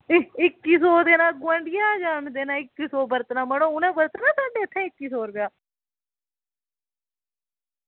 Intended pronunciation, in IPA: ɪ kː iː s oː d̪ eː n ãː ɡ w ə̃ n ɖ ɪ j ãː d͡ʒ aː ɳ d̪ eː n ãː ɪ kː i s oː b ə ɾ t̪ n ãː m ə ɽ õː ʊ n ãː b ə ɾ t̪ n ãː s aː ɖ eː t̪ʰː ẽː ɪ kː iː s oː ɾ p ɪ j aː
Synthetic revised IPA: ɪ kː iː s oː d̪ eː n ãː ɡ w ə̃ ɳ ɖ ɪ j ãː d͡ʒ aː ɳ d̪ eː n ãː ɪ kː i s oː b ə ɾ t̪ n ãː m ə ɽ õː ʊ n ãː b ə ɾ t̪ n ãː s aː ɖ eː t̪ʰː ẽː ɪ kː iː s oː ɾ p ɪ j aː

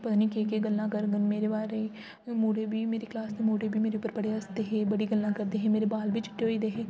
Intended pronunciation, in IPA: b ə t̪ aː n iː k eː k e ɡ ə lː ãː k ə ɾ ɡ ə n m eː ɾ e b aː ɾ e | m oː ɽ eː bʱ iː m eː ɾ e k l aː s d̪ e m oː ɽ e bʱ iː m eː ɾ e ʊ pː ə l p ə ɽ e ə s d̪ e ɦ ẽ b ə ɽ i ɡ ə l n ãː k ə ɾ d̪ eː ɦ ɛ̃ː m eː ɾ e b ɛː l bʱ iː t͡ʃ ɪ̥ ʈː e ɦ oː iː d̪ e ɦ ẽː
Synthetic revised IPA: p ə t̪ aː n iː k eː k e ɡ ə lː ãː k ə ɾ ɡ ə n m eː ɾ e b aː ɾ e | m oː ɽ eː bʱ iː m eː ɾ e k l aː s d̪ e m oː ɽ e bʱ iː m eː ɾ e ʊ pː ə ɾ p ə ɽ e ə s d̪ e ɦ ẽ b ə ɽ i ɡ ə l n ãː k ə ɾ d̪ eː ɦ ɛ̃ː m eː ɾ e b aː l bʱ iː t͡ʃ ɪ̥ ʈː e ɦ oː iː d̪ e ɦ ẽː

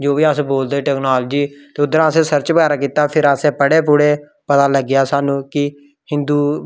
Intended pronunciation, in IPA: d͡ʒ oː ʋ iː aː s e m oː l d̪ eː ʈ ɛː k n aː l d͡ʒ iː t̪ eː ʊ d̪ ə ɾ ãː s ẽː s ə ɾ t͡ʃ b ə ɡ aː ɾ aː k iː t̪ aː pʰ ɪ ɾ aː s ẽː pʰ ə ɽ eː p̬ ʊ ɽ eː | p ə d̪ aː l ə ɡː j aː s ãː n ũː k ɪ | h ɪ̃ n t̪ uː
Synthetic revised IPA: d͡ʒ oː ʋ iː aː s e b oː l d̪ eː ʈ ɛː k n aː l d͡ʒ iː t̪ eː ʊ d̪ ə ɾ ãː s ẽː s ə ɾ t͡ʃ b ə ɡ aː ɾ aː k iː t̪ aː pʰ ɪ ɾ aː s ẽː p ə ɽ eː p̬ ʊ ɽ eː | p ə t̪ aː l ə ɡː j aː s aː n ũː k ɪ | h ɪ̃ n d̪ uː

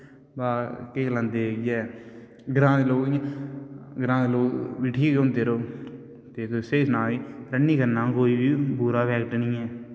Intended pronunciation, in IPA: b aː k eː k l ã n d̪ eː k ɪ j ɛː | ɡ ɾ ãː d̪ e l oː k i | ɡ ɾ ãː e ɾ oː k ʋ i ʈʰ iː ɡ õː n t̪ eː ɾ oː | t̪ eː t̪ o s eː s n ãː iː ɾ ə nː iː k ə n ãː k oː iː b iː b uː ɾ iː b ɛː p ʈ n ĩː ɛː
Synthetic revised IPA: b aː k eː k l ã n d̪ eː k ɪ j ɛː | ɡ ɾ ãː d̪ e l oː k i | ɡ ɾ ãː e l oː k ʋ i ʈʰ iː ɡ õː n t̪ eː ɾ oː | t̪ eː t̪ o s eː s n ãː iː ɾ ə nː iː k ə n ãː k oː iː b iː b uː ɾ aː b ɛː k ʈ n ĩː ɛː

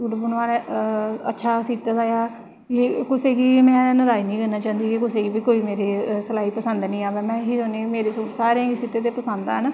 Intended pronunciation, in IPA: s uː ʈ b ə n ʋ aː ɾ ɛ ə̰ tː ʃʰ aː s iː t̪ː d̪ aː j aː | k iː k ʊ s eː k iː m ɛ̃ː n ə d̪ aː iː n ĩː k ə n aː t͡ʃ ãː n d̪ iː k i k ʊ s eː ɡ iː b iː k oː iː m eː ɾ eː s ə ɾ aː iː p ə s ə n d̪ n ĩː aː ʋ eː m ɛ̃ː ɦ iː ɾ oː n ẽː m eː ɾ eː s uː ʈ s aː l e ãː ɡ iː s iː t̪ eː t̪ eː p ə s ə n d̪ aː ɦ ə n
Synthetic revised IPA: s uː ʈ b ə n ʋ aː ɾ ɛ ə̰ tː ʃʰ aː s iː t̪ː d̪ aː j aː | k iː k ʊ s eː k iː m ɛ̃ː n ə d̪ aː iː n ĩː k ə n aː t͡ʃ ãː n d̪ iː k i k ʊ s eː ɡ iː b iː k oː iː m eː ɾ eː s ə l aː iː p ə s ə n d̪ n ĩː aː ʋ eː m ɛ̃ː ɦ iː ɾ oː n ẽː m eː ɾ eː s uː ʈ s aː ɾ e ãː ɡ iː s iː t̪ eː t̪ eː p ə s ə n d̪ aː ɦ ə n

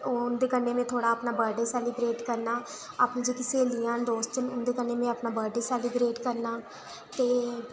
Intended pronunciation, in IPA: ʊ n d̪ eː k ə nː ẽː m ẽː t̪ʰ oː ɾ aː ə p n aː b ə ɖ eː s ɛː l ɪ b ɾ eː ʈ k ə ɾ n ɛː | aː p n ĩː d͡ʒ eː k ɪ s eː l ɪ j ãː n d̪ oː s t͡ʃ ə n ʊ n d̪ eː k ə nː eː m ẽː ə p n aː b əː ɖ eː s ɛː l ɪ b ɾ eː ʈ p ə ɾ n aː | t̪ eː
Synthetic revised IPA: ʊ n d̪ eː k ə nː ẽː m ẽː t̪ʰ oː ɽ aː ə p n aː b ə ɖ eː s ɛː l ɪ b ɾ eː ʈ k ə ɾ n aː | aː p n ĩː d͡ʒ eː k ɪ s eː l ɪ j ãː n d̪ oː s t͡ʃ ə n ʊ n d̪ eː k ə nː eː m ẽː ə p n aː b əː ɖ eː s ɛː l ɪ b ɾ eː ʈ k ə ɾ n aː | t̪ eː

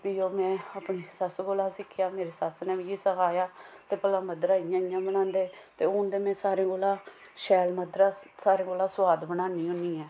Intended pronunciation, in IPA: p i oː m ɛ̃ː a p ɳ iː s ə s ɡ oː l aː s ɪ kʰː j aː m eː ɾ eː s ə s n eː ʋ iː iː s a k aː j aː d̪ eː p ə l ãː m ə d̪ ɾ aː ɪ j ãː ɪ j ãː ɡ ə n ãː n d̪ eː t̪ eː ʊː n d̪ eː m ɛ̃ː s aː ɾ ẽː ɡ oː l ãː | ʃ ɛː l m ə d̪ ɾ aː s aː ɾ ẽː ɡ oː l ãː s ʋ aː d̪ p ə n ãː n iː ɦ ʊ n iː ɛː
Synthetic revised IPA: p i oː m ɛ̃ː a p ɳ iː s ə s ɡ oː l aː s ɪ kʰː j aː m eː ɾ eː s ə s n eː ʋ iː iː s ə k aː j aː t̪ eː p ə l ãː m ə d̪ ɾ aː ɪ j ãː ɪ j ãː b ə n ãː n d̪ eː t̪ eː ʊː n d̪ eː m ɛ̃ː s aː ɾ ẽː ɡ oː l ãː | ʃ ɛː l m ə d̪ ɾ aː s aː ɾ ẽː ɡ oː l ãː s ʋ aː d̪ b ə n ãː n iː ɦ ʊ n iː ɛː

